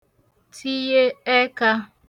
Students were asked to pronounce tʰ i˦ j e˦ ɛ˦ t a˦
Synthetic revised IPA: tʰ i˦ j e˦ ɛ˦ k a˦